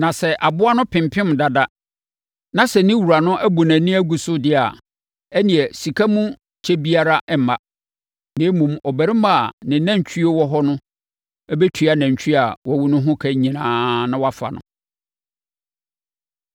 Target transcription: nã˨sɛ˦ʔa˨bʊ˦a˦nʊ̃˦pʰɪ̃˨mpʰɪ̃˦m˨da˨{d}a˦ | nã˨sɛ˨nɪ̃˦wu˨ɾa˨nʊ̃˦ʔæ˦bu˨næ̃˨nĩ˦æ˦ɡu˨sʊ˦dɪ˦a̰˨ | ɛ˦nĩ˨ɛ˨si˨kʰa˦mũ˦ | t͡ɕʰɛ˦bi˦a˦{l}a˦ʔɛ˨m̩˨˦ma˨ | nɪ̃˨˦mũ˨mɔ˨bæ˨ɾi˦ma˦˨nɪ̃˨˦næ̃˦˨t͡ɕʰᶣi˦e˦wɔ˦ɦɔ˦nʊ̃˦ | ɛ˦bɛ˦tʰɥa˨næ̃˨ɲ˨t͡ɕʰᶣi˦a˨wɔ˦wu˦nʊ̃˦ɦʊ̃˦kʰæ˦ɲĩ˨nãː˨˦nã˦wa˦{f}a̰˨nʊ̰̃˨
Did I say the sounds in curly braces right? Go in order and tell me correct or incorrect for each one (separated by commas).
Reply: correct, incorrect, correct